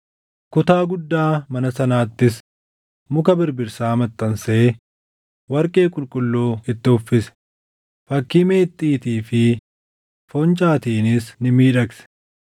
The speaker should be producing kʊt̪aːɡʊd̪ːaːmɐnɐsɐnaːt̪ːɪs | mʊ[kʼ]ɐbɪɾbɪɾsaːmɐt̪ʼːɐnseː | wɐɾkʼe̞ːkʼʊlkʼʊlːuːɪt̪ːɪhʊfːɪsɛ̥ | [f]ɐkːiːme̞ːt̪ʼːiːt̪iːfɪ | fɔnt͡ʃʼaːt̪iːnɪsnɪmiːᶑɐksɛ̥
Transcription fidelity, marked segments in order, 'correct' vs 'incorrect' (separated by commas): incorrect, correct